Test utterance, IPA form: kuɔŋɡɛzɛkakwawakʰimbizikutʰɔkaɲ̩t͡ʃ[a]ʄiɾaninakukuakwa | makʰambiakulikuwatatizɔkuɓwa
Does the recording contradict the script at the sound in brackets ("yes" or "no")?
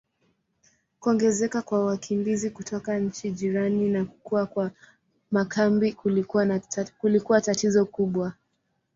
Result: yes